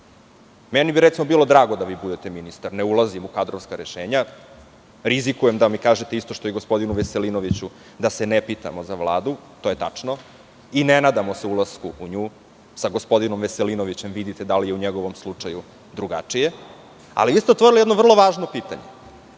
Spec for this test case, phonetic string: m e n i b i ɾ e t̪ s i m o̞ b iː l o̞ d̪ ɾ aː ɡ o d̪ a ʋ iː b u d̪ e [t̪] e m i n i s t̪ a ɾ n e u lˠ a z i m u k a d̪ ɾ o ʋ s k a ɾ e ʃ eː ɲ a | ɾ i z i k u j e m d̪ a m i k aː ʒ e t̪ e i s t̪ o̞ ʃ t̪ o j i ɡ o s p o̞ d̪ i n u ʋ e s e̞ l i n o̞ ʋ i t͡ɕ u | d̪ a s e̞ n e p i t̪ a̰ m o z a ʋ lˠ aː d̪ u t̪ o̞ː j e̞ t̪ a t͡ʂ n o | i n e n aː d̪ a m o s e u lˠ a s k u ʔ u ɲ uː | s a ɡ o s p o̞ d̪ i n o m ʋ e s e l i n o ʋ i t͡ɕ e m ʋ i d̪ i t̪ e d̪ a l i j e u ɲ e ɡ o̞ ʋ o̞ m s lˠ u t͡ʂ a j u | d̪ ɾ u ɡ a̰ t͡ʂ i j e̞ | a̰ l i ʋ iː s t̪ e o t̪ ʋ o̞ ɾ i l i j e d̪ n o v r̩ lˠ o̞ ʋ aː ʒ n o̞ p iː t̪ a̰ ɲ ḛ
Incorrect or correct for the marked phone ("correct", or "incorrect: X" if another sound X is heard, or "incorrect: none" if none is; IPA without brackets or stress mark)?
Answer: correct